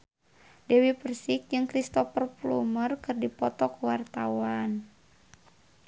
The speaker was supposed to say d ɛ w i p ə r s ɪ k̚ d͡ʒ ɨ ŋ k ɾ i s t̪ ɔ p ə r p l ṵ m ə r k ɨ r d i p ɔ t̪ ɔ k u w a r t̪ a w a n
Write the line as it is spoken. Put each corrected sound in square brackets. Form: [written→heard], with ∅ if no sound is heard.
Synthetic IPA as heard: d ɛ w i p ə r s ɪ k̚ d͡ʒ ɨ ŋ k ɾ i s t̪ ɔ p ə r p l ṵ m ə r k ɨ r d i p ɔ t̪ ɔ k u w a r t̪ a w a n